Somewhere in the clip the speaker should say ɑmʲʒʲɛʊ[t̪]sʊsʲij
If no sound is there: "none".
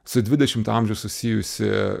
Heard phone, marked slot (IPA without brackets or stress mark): none